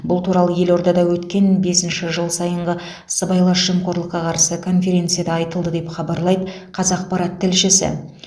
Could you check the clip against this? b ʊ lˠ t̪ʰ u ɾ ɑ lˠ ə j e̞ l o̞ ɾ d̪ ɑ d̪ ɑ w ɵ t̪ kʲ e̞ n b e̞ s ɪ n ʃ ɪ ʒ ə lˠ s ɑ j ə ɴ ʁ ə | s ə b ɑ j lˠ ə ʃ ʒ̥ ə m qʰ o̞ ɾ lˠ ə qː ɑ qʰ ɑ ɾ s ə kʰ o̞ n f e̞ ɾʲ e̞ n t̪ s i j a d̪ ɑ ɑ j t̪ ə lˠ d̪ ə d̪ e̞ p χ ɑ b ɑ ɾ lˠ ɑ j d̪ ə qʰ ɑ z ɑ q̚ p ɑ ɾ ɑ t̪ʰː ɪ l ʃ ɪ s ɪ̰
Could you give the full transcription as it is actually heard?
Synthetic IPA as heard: b ʊ lˠ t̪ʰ u ɾ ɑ lˠ ə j e̞ l o̞ ɾ d̪ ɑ d̪ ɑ w ɵ t̪ kʲ e̞ n b e̞ s ɪ n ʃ ɪ ʒ ə lˠ s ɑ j ə ɴ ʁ ə | s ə b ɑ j lˠ ɑ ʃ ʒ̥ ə m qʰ o̞ ɾ lˠ ə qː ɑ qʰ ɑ ɾ s ə kʰ o̞ n f e̞ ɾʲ e̞ n t̪ s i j a d̪ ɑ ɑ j t̪ ə lˠ d̪ ə d̪ e̞ p χ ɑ b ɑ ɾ lˠ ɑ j d̪ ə qʰ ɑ z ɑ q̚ p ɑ ɾ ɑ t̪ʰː ɪ l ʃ ɪ s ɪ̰

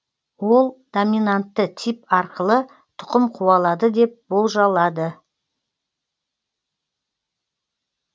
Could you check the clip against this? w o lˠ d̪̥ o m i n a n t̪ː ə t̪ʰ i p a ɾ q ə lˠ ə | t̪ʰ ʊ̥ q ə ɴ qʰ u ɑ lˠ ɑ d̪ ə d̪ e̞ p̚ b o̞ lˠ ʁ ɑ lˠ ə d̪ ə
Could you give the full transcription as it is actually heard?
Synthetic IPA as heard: w o lˠ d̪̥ o m i n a n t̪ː ə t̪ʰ i p ɑ ɾ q ə lˠ ə | t̪ʰ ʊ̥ q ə m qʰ u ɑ lˠ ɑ d̪ ə d̪ e̞ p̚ b o̞ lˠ ʒ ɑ lˠ ɑ d̪ ə

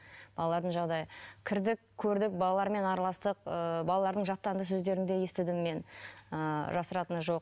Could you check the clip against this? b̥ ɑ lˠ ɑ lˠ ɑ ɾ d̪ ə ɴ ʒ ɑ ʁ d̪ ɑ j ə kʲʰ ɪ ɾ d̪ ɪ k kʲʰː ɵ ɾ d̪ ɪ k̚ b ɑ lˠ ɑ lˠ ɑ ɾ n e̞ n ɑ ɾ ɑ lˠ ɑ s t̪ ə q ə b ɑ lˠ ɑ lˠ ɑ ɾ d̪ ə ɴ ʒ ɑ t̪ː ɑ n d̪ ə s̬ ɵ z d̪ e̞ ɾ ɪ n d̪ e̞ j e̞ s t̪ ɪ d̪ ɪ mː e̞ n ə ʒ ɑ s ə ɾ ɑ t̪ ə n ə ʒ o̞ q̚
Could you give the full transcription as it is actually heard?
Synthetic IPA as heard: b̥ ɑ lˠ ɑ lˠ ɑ ɾ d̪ ə ɴ ʒ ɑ ʁ d̪ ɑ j ə kʲʰ ɪ ɾ d̪ ɪ k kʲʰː ɵ ɾ d̪ ɪ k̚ b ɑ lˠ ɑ lˠ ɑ ɾ m e̞ n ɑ ɾ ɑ lˠ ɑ s t̪ ə q ə b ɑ lˠ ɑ lˠ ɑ ɾ d̪ ə ɴ ʒ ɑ t̪ː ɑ n d̪ ə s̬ ɵ z d̪ e̞ ɾ ɪ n d̪ e̞ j e̞ s t̪ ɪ d̪ ɪ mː e̞ n ə ʒ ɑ s ə ɾ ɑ t̪ ə n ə ʒ o̞ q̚

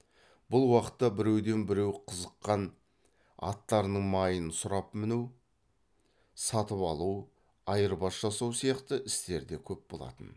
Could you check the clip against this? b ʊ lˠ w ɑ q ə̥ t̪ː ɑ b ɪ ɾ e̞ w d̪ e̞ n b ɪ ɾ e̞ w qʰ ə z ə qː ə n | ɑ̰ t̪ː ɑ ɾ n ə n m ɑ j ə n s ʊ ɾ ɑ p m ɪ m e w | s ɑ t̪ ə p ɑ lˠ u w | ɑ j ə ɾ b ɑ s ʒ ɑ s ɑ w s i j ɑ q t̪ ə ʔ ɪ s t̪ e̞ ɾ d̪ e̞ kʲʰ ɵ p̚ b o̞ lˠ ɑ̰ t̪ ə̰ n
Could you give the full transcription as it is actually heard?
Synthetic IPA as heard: b ʊ lˠ w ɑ q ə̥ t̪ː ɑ b ɪ ɾ e̞ w d̪ e̞ n b ɪ ɾ e̞ w qʰ ə z ə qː ɑ n | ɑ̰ t̪ː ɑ ɾ n ə ɴ m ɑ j ə n s ʊ ɾ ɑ p m ɪ n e w | s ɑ t̪ ə p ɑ lˠ u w | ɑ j ə ɾ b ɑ s ʒ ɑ s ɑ w s i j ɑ q t̪ ə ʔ ɪ s t̪ e̞ ɾ d̪ e̞ kʲʰ ɵ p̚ b o̞ lˠ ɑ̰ t̪ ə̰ n

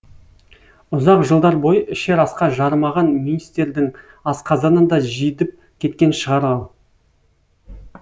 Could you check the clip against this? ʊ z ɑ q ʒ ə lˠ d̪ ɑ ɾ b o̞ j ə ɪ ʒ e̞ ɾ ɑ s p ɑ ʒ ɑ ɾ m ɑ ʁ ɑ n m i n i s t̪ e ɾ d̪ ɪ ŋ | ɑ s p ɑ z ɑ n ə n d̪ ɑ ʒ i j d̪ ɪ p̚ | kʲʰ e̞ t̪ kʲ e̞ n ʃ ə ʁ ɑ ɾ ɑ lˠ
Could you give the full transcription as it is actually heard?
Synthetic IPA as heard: ʊ z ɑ q ʒ ə lˠ d̪ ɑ ɾ b o̞ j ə ɪ ʃ e̞ ɾ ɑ s q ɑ ʒ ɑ ɾ m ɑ ʁ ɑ n m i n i s t̪ e ɾ d̪ ɪ ŋ | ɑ s q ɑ z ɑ n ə n d̪ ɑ ʒ i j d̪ ɪ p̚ | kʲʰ e̞ t̪ kʲ e̞ n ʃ ə ʁ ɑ ɾ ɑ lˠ

